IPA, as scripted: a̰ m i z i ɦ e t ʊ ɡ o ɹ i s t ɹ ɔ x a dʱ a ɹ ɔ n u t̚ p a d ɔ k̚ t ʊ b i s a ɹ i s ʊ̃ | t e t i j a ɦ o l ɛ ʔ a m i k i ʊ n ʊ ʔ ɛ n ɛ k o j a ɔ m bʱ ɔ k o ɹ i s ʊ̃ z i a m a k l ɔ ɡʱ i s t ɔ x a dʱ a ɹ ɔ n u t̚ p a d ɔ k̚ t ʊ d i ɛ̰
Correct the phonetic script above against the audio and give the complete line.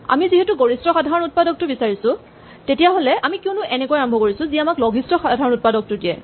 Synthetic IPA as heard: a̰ m i z i ɦ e t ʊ ɡ o ɹ i s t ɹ ɔ x a dʱ a ɹ ɔ n u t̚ p a d ɔ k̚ t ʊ b i s a ɹ i s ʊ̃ | t e t i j a ɦ o l ɛ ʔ a m i k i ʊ n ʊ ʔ ɛ n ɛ k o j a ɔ m bʱ ɔ k o ɹ i s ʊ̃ z i a m a k l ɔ ɡʱ i s t ɔ x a dʱ a ɹ ɔ n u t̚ p a d ɔ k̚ t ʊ d i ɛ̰